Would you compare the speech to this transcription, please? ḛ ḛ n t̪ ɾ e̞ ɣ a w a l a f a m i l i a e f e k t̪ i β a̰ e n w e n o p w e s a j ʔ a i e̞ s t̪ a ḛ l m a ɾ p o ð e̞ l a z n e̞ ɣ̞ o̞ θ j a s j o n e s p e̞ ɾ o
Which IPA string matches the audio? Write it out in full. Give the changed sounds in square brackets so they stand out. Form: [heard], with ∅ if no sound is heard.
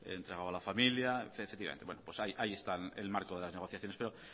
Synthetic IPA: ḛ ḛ n t̪ ɾ e̞ ɣ a w a l a f a m i l [j] a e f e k t̪ i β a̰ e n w e n o p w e s a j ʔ a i e̞ s t̪ a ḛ l m a ɾ [k] o ð e̞ l a z n e̞ ɣ̞ o̞ θ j a [θ] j o n e s p e̞ ɾ o